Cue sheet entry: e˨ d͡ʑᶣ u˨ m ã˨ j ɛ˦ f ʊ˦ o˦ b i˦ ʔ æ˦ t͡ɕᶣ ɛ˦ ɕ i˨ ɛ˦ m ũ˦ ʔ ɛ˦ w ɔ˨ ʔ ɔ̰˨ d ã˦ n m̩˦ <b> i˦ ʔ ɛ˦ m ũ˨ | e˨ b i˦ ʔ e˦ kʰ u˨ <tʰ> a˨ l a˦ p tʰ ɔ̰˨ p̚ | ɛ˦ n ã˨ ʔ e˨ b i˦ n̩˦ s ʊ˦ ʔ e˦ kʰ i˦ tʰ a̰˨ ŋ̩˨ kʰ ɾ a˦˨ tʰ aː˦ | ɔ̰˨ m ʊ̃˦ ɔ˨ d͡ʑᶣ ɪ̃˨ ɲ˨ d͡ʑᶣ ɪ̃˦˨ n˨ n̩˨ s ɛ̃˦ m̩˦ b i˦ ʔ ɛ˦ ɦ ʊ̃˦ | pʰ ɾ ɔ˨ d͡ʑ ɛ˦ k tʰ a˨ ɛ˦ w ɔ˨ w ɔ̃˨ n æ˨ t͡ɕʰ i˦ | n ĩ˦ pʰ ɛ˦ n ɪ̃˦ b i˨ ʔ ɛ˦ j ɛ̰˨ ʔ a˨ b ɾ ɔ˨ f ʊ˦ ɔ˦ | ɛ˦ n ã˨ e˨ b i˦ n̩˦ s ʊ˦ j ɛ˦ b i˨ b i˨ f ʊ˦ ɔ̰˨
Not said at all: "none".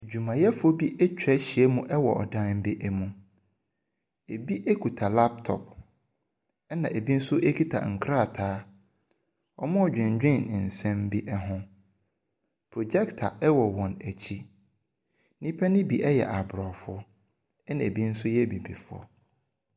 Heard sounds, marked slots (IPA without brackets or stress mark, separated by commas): b, tʰ